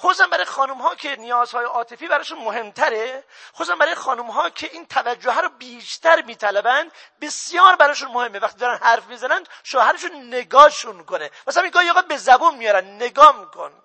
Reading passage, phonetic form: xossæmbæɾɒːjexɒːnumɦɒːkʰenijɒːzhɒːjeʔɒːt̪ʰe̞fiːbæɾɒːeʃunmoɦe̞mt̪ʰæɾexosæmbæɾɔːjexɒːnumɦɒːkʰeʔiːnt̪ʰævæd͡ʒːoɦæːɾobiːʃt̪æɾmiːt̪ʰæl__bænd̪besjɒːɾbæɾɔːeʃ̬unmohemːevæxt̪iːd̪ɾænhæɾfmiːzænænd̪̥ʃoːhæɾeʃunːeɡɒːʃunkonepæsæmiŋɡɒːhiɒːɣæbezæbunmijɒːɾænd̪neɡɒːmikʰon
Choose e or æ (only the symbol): æ